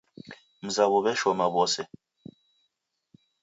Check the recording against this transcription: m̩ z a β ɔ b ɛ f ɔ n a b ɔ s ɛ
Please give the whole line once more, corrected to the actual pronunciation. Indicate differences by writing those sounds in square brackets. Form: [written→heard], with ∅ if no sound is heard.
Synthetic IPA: m̩ z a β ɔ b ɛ [f→ʃ] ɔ [n→m] a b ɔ s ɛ